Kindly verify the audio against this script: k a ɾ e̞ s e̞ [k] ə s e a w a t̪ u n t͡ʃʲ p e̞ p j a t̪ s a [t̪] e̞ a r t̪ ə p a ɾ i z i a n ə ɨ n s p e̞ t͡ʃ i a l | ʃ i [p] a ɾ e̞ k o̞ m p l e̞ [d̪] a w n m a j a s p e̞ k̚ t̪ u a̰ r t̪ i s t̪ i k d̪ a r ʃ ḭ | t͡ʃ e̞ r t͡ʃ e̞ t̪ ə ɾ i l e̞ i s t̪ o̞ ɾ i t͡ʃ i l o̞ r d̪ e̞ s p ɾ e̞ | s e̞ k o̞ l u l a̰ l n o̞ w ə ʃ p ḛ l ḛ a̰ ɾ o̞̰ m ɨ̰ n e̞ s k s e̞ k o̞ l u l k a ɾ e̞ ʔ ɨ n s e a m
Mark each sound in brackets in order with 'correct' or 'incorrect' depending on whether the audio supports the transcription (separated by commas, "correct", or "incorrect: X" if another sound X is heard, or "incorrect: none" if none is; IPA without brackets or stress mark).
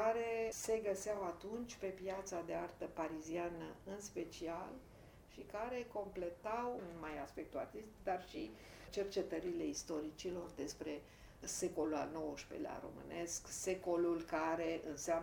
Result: incorrect: ɡ, incorrect: d̪, incorrect: k, incorrect: t̪